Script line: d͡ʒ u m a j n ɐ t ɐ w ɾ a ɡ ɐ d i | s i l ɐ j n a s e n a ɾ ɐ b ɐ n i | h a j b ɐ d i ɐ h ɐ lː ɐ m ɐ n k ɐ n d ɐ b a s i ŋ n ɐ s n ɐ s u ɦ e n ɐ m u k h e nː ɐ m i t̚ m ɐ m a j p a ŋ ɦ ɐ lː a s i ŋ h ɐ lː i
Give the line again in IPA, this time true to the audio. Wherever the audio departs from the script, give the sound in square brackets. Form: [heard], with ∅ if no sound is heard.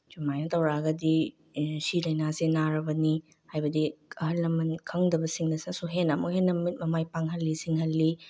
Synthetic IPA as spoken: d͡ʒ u m a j n ɐ t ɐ w ɾ a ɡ ɐ d i | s i l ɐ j n a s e n a ɾ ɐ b ɐ n i | h a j b ɐ d i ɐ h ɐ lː ɐ m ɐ n [kʰ] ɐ [ŋ] d ɐ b [ɐ] s i ŋ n ɐ s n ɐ s u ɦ e n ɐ m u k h e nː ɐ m i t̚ m ɐ m a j p a ŋ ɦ ɐ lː [i] s i ŋ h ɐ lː i